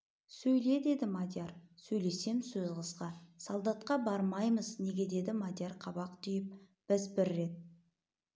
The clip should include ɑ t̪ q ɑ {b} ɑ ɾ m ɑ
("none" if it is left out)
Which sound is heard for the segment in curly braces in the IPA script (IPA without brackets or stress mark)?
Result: b